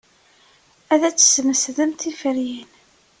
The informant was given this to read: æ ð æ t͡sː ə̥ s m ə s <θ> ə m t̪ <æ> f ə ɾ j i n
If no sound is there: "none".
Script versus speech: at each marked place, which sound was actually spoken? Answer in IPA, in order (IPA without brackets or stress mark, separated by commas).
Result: ð, i